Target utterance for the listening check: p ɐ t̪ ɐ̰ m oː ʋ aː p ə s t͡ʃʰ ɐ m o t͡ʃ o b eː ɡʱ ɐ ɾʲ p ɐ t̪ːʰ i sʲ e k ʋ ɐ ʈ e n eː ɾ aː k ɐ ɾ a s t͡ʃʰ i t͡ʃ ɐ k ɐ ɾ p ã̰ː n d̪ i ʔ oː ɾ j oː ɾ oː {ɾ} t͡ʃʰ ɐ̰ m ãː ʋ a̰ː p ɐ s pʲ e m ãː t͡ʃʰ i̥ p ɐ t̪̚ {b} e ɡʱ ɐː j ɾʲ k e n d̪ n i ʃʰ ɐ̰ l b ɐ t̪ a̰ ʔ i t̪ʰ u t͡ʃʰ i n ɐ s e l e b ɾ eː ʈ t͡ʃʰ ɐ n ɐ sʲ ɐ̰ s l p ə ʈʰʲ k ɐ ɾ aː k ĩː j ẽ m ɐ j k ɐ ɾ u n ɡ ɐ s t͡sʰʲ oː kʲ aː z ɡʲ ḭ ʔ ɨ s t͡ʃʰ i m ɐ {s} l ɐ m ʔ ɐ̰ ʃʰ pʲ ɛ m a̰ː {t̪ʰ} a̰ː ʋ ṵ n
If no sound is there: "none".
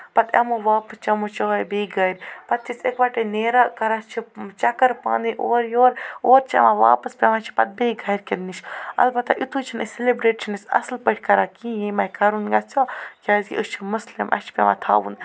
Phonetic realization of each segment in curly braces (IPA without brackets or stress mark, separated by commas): ɾ, b, s, t̪ʰ